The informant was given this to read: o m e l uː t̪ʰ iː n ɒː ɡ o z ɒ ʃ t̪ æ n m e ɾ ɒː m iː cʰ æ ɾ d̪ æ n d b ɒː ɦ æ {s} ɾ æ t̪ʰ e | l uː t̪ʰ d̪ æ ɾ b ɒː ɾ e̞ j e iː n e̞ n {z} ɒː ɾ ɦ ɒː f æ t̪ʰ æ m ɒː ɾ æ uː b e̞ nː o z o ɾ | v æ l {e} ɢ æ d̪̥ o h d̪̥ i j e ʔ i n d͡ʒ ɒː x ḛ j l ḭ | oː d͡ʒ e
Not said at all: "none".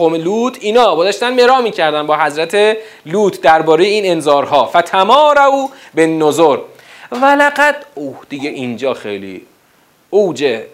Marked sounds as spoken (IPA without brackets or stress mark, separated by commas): z, z, æ